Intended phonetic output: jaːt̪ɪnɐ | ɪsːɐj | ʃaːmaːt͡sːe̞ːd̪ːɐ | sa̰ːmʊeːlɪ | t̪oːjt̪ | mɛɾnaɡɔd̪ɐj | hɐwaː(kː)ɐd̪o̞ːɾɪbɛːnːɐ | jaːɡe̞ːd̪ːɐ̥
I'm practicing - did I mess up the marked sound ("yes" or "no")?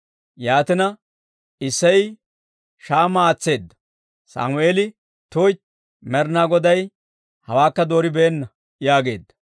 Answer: no